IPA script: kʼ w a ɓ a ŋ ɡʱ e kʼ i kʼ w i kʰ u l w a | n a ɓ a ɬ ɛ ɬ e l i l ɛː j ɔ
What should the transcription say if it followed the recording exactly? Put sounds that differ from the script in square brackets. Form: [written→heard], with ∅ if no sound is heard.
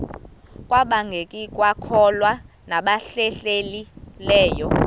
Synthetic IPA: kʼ w a ɓ a ŋ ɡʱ e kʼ i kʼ w [i→a] kʰ [u→ɔ] l w a | n a ɓ a ɬ ɛ ɬ e l i l ɛː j ɔ